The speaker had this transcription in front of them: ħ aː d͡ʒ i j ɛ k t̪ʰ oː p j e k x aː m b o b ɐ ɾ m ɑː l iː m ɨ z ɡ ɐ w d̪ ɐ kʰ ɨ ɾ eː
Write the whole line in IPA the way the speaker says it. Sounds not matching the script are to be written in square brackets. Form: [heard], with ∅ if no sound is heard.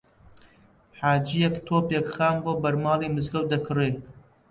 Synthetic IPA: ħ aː d͡ʒ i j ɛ k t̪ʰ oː p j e k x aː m b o b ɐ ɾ m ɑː l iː m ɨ z ɡ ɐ w d̪ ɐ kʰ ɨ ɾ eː